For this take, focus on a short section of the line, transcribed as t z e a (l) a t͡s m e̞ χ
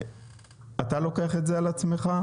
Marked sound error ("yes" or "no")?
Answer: no